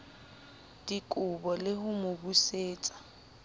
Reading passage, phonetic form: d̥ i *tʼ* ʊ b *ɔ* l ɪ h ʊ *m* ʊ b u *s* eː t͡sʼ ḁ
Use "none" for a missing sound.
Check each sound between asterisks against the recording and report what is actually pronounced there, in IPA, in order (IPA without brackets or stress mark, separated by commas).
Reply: kʼ, ɔ, m, s